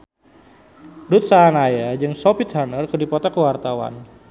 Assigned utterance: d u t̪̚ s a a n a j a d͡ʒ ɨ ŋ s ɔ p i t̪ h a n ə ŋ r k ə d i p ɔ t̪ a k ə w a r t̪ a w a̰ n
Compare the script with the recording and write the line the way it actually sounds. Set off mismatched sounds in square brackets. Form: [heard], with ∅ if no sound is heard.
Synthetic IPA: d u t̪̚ s a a n a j a d͡ʒ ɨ ŋ s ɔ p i t̪ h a n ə [∅] r k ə d i p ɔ t̪ a k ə w a r t̪ a w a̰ n